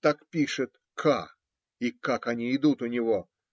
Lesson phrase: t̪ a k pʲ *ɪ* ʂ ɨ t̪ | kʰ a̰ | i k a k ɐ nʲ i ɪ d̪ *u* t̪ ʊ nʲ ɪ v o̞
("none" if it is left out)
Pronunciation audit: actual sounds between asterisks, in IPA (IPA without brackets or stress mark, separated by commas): i, u